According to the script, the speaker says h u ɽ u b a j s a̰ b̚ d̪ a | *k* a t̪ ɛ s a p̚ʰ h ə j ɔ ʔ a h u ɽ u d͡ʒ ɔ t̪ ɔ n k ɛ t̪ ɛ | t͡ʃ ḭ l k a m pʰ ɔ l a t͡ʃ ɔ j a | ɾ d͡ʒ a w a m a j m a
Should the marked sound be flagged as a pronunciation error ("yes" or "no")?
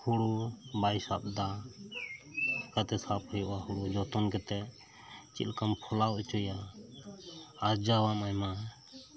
no